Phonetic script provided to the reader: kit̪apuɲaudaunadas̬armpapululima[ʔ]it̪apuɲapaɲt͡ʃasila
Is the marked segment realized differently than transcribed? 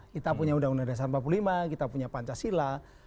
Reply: yes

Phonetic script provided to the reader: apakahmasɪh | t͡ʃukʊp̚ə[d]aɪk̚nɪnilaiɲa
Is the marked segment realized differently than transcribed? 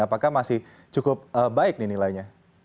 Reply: yes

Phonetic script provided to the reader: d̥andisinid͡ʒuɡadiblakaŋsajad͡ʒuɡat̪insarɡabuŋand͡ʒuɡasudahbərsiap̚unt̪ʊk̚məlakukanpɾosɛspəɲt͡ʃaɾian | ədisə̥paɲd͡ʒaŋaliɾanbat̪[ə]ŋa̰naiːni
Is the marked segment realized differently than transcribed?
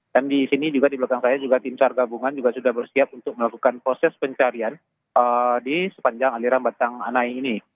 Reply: yes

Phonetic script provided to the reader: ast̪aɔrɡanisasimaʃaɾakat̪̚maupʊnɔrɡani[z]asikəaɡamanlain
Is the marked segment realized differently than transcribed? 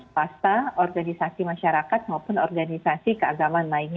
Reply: yes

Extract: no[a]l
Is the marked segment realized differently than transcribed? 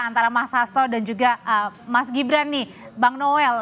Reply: yes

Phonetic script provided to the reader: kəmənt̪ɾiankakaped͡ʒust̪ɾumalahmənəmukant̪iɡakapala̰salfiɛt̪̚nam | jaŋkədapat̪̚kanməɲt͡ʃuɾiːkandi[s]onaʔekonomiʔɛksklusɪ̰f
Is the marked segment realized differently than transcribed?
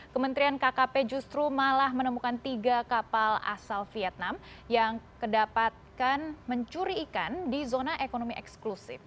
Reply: yes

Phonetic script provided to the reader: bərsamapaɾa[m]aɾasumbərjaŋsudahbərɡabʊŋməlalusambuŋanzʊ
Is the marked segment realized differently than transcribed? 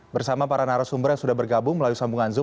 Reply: yes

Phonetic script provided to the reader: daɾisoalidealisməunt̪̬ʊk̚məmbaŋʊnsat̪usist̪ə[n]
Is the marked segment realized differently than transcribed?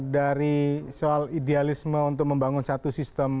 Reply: yes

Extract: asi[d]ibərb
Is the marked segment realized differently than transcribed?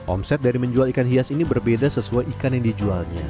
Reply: yes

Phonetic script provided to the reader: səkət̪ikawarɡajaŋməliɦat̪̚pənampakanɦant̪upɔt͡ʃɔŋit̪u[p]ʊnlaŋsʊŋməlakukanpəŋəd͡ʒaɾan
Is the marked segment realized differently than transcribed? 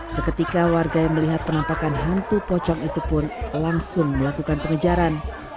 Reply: no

